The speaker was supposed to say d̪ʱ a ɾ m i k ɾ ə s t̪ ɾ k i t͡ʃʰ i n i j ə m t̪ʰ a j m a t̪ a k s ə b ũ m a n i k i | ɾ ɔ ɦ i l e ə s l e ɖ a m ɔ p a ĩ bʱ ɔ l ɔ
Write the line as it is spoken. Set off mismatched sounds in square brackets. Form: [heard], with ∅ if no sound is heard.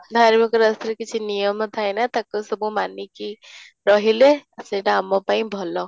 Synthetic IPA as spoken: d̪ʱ a ɾ m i k ɾ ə s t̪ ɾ k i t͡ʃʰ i n i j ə m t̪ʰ a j [n] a t̪ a k s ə b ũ m a n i k i | ɾ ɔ ɦ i l e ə s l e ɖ a m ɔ p a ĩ bʱ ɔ l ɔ